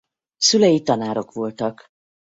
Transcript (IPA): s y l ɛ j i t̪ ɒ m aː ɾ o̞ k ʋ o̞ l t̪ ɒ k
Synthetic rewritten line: s y l ɛ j i t̪ ɒ n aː ɾ o̞ k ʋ o̞ l t̪ ɒ k